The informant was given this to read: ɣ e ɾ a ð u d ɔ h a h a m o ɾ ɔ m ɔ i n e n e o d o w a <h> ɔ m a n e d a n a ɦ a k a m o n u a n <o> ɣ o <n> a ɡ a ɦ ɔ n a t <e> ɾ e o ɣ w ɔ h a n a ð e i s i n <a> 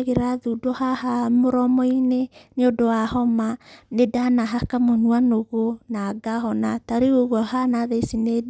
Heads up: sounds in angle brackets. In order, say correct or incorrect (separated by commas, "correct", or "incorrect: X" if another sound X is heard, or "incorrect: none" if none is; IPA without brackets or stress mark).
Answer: correct, correct, correct, incorrect: a, incorrect: e